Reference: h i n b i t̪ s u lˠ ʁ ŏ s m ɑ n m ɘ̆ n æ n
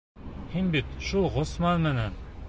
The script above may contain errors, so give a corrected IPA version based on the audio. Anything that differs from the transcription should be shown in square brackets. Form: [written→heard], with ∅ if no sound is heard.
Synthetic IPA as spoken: h i n b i t̪ [s→ʃ] u lˠ ʁ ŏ s m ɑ n m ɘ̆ n æ n